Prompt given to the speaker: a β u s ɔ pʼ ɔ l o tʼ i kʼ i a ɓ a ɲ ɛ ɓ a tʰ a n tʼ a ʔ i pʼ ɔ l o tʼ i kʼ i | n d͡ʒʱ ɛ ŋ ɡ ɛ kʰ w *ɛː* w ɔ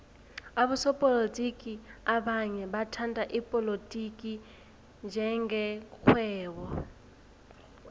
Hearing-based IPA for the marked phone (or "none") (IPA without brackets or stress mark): ɛː